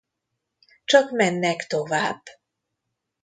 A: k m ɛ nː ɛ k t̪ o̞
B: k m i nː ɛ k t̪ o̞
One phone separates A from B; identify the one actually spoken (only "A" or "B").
A